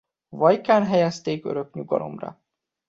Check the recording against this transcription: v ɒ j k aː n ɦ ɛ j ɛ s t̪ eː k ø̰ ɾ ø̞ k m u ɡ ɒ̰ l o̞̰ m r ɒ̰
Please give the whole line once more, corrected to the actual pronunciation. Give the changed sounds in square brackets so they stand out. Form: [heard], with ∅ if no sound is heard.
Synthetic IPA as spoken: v ɒ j k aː n ɦ ɛ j ɛ s t̪ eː k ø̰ ɾ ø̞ k [ɲ] u ɡ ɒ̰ l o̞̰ m r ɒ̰